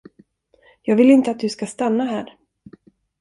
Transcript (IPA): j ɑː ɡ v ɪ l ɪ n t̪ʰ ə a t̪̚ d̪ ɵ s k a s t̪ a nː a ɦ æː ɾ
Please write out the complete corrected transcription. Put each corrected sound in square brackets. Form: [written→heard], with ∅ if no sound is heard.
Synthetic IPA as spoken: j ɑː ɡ v ɪ l ɪ n [t̪ʰ→t̪] ə a t̪̚ d̪ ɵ s k a s t̪ a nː a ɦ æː ɾ